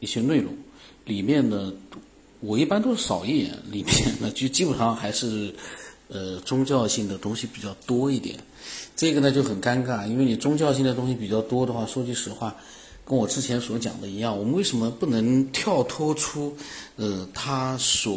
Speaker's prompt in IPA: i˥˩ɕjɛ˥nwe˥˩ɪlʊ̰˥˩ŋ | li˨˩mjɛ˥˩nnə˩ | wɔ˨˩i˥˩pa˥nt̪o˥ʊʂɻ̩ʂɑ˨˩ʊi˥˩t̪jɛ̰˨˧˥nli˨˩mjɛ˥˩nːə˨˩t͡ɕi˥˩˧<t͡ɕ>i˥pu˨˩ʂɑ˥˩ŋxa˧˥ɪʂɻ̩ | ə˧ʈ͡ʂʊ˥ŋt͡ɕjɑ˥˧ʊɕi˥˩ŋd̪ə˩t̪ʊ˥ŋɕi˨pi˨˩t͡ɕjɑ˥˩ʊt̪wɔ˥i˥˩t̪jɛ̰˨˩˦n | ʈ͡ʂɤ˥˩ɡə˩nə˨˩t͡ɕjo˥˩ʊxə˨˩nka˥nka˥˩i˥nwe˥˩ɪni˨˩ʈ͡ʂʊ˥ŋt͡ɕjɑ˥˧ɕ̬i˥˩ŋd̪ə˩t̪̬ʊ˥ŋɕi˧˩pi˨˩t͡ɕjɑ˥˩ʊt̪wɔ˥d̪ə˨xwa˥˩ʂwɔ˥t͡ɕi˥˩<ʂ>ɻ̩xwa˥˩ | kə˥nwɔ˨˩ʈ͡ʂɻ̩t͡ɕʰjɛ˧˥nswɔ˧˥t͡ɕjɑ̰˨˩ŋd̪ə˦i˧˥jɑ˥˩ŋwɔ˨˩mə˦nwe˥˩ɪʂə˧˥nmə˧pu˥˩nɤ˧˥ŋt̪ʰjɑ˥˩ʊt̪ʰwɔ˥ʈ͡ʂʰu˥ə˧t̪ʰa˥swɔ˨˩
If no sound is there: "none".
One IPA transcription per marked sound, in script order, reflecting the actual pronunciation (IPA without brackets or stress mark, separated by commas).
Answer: t͡ɕ, ʂ